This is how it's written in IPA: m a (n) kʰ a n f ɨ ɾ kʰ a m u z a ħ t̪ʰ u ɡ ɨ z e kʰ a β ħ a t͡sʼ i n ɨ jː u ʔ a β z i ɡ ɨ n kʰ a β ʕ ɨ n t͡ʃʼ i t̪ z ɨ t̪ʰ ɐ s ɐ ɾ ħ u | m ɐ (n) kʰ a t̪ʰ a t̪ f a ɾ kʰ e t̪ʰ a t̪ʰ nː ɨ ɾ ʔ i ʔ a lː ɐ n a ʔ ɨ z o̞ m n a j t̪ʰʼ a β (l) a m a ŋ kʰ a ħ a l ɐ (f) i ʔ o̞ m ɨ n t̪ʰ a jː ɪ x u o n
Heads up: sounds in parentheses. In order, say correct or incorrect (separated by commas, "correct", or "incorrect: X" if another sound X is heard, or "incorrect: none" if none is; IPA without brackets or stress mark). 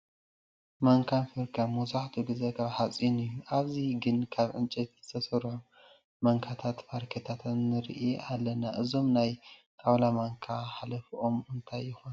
incorrect: ŋ, incorrect: ŋ, correct, correct